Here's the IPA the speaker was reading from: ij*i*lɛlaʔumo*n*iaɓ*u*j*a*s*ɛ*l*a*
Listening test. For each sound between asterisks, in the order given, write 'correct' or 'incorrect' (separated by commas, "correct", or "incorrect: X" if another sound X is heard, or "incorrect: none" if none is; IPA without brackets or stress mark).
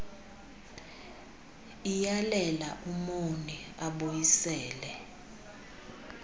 incorrect: a, correct, incorrect: o, incorrect: i, incorrect: ɛː, incorrect: ɛ